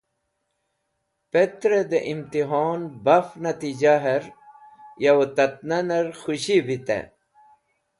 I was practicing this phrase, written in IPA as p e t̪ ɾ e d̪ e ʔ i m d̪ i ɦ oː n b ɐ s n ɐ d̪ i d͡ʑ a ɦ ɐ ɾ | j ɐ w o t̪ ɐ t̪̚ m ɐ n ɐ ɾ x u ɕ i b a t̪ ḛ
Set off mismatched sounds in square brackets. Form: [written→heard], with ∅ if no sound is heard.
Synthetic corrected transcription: p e t̪ ɾ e d̪ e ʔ i m [d̪→t̪] i ɦ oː n b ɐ [s→f] n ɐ [d̪→t̪] i d͡ʑ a ɦ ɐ ɾ | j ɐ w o t̪ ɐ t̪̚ [m→n] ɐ n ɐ ɾ x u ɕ i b [a→i] t̪ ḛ